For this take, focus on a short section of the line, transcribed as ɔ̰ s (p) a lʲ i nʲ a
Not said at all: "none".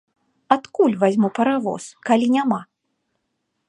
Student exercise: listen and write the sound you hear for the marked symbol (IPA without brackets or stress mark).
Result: k